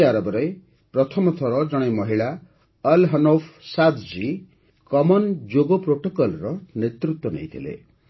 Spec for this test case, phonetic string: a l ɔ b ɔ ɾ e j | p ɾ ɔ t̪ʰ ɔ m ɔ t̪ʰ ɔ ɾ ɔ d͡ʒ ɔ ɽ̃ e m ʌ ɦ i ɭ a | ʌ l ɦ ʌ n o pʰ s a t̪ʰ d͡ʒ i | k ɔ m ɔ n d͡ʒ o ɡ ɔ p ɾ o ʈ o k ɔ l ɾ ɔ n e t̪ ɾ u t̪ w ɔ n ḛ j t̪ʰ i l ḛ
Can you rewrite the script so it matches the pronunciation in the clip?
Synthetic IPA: a ɾ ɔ b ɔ ɾ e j | p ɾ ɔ t̪ʰ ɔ m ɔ t̪ʰ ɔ ɾ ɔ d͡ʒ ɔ ɽ̃ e m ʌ ɦ i ɭ a | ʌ l ɦ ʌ n o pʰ s a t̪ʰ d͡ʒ i | k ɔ m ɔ n d͡ʒ o ɡ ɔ p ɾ o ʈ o k ɔ l ɾ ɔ n e t̪ ɾ u t̪ w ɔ n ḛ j t̪ʰ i l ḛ

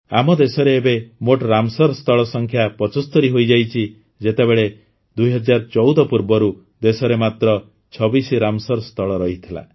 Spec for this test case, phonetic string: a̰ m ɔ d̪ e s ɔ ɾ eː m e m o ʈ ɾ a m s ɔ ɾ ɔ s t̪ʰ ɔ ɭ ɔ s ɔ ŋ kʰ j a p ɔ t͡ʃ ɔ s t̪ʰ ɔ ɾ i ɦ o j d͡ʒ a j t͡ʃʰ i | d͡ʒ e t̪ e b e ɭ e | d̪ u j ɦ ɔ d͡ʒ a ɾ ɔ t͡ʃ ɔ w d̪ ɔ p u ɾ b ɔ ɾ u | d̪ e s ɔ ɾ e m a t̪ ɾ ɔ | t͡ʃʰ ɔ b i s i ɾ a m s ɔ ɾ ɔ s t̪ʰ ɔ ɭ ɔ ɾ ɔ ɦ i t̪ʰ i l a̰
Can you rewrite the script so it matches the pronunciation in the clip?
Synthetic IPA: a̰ m ɔ d̪ e s ɔ ɾ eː b e m o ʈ ɾ a m s ɔ ɾ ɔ s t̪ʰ ɔ ɭ ɔ s ɔ ŋ kʰ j a p ɔ t͡ʃ ɔ s t̪ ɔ ɾ i ɦ o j d͡ʒ a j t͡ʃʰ i | d͡ʒ e t̪ e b e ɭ e | d̪ u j ɦ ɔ d͡ʒ a ɾ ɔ t͡ʃ ɔ w d̪ ɔ p u ɾ b ɔ ɾ u | d̪ e s ɔ ɾ e m a t̪ ɾ ɔ | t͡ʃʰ ɔ b i s i ɾ a m s ɔ ɾ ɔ s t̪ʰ ɔ ɭ ɔ ɾ ɔ ɦ i t̪ʰ i l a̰

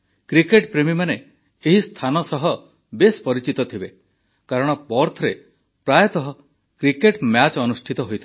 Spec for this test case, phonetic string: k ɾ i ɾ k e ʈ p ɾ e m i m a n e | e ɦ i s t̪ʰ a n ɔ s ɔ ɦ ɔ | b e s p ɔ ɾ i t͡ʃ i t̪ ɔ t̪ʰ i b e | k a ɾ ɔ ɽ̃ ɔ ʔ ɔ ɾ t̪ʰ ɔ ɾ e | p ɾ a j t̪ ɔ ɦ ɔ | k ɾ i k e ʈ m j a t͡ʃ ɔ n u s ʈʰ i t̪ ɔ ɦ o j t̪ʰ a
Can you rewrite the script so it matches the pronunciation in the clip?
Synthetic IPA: k ɾ i k e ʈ p ɾ e m i m a n e | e ɦ i s t̪ʰ a n ɔ s ɔ ɦ ɔ | b e s p ɔ ɾ i t͡ʃ i t̪ ɔ t̪ʰ i b e | k a ɾ ɔ ɽ̃ ɔ p ɔ ɾ t̪ʰ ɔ ɾ e | p ɾ a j t̪ ɔ ɦ ɔ | k ɾ i k e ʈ m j a t͡ʃ ɔ n u s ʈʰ i t̪ ɔ ɦ o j t̪ʰ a

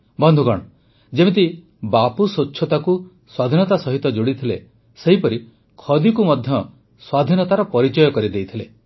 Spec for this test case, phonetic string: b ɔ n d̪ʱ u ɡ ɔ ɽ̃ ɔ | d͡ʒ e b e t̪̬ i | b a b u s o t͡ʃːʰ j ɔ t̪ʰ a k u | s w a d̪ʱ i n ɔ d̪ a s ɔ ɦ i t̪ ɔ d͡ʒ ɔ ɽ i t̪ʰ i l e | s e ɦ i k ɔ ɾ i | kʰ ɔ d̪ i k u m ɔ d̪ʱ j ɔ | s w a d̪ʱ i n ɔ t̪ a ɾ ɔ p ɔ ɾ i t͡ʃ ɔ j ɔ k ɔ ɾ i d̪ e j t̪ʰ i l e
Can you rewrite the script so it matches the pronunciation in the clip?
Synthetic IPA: b ɔ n d̪ʱ u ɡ ɔ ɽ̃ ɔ | d͡ʒ e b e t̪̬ i | b a p u s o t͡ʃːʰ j ɔ t̪ a k u | s w a d̪ʱ i n ɔ t̪ a s ɔ ɦ i t̪ ɔ d͡ʒ o ɽ i t̪ʰ i l e | s e ɦ i p ɔ ɾ i | kʰ ɔ d̪ i k u m ɔ d̪ʱ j ɔ | s w a d̪ʱ i n ɔ t̪ a ɾ ɔ p ɔ ɾ i t͡ʃ ɔ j ɔ k ɔ ɾ i d̪ e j t̪ʰ i l e

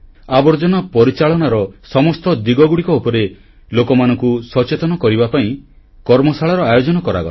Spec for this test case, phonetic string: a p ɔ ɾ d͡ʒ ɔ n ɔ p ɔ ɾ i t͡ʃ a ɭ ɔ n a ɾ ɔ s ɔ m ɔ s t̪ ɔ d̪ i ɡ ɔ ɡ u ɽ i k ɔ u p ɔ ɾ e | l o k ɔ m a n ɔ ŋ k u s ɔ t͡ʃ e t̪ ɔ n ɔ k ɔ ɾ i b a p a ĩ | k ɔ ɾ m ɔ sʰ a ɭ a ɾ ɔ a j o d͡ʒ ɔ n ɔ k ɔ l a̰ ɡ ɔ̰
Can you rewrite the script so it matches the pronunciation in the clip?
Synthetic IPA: a b ɔ ɾ d͡ʒ ɔ n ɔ p ɔ ɾ i t͡ʃ a ɭ ɔ n a ɾ ɔ s ɔ m ɔ s t̪ ɔ d̪ i ɡ ɔ ɡ u ɽ i k ɔ u p ɔ ɾ e | l o k ɔ m a n ɔ ŋ k u s ɔ t͡ʃ e t̪ ɔ n ɔ k ɔ ɾ i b a p a ĩ | k ɔ ɾ m ɔ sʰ a ɭ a ɾ ɔ a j o d͡ʒ ɔ n ɔ k ɔ ɾ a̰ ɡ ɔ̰

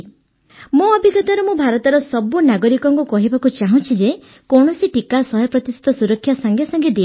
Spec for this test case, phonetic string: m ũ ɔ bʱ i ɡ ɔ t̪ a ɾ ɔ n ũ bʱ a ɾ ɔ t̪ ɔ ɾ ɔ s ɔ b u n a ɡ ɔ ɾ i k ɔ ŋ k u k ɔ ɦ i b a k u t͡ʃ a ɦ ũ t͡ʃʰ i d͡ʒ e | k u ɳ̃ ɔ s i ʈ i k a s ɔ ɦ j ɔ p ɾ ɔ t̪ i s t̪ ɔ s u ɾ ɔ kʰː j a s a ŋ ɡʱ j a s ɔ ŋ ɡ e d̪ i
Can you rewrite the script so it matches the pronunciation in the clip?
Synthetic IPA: m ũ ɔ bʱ i ɡ ɔ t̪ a ɾ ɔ m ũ bʱ a ɾ ɔ t̪ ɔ ɾ ɔ s ɔ b u n a ɡ ɔ ɾ i k ɔ ŋ k u k ɔ ɦ i b a k u t͡ʃ a ɦ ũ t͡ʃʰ i d͡ʒ e | k ɔ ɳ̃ ɔ s i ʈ i k a s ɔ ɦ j ɔ p ɾ ɔ t̪ i s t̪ ɔ s u ɾ ɔ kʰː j a s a ŋ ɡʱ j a s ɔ ŋ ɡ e d̪ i

